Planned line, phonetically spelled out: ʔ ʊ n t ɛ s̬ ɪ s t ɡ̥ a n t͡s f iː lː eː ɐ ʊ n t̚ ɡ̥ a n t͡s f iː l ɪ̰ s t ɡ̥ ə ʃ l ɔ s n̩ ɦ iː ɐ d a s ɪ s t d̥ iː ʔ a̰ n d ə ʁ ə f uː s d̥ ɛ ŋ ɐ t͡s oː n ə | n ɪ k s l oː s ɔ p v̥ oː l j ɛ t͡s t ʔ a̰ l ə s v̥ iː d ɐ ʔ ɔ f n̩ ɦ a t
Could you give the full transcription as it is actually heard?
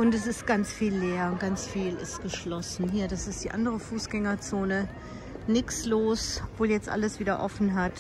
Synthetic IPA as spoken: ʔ ʊ n t ɛ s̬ ɪ s t ɡ̥ a n t͡s f iː lː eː ɐ ʊ n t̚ ɡ̥ a n t͡s f iː l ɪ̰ s t ɡ̥ ə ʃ l ɔ s n̩ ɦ iː ɐ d a s ɪ s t d̥ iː ʔ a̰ n d ə ʁ ə f uː s ɡ̥ ɛ ŋ ɐ t͡s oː n ə | n ɪ k s l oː s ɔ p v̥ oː l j ɛ t͡s t ʔ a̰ l ə s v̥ iː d ɐ ʔ ɔ f n̩ ɦ a t